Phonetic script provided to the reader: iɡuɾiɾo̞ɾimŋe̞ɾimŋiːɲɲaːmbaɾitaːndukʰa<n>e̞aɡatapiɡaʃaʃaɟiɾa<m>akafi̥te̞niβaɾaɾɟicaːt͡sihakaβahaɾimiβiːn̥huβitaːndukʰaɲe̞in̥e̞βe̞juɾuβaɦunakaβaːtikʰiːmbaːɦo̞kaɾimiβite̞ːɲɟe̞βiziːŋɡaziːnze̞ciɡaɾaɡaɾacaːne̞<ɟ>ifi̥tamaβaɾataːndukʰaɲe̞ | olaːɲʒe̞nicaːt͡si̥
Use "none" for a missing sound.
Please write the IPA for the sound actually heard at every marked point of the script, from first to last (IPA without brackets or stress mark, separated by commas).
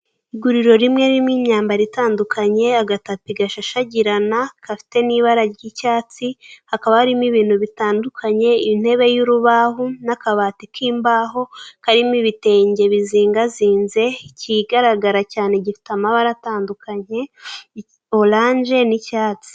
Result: ɲ, n, ɟ